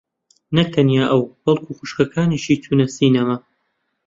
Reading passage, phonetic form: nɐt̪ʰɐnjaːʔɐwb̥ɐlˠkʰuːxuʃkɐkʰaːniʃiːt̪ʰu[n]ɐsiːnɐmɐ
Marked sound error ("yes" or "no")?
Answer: no